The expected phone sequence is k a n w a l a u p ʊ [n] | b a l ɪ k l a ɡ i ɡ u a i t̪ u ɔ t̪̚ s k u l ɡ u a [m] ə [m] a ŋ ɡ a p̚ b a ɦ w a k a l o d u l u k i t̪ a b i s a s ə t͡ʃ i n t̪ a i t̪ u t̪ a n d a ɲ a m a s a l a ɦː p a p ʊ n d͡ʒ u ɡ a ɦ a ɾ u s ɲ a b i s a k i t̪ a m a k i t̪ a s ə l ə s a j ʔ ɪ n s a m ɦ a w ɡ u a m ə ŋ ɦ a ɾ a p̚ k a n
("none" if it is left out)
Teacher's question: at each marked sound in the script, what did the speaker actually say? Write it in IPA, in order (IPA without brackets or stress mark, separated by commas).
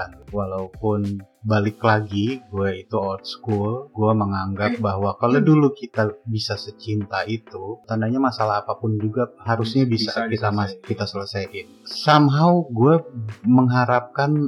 n, m, ŋ